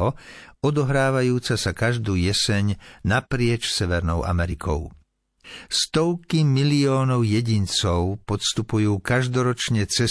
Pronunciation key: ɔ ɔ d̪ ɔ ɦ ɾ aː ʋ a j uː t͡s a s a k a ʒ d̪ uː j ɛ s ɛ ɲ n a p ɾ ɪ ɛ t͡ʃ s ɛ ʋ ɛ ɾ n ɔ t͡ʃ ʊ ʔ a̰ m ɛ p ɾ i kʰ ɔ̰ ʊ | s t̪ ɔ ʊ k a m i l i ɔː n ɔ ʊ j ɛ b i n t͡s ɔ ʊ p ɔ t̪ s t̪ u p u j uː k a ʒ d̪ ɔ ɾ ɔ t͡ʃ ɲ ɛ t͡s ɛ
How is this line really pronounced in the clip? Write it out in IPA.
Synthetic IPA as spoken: ɔ ɔ d̪ ɔ ɦ ɾ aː ʋ a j uː t͡s a s a k a ʒ d̪ uː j ɛ s ɛ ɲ n a p ɾ ɪ ɛ t͡ʃ s ɛ ʋ ɛ ɾ n ɔ ʊ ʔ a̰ m ɛ ɾ i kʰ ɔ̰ ʊ | s t̪ ɔ ʊ k i m i l i ɔː n ɔ ʊ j ɛ ɟ i n t͡s ɔ ʊ p ɔ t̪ s t̪ u p u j uː k a ʒ d̪ ɔ ɾ ɔ t͡ʃ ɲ ɛ t͡s ɛ